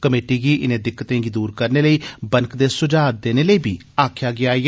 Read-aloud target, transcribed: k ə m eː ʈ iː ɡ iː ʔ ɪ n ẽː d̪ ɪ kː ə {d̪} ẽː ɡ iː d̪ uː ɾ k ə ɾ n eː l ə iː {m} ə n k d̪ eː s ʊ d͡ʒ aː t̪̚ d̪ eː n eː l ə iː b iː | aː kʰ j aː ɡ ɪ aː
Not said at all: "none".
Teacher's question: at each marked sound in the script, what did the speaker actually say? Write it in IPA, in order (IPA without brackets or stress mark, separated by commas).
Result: t̪, b